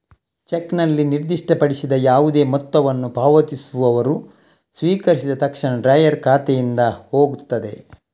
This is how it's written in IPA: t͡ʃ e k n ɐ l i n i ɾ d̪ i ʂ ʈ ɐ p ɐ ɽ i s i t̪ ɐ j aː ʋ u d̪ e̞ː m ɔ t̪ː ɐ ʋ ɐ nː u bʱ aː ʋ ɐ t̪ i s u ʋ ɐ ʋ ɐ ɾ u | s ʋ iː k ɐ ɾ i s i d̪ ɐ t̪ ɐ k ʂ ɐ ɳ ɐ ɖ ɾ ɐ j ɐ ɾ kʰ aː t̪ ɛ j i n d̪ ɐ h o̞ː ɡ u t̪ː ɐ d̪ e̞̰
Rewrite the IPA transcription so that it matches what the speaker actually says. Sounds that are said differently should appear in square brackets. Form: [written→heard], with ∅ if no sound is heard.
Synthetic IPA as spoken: t͡ʃ e k n ɐ [l→lː] i n i ɾ d̪ i ʂ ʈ ɐ p ɐ ɽ i s i [t̪→d̪] ɐ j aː ʋ u d̪ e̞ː m ɔ t̪ː ɐ ʋ ɐ nː u bʱ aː ʋ ɐ t̪ i s u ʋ ɐ ʋ ɐ ɾ u | s ʋ iː k ɐ ɾ i s i d̪ ɐ t̪ ɐ k ʂ ɐ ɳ ɐ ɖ ɾ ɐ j ɐ ɾ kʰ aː t̪ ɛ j i n d̪ ɐ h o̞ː ɡ u t̪ː ɐ d̪ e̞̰